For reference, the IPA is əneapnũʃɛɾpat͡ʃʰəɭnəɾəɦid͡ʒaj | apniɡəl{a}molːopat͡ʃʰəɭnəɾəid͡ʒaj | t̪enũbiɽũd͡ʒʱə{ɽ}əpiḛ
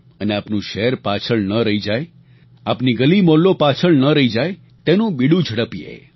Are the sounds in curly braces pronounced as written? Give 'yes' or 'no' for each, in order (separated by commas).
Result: no, yes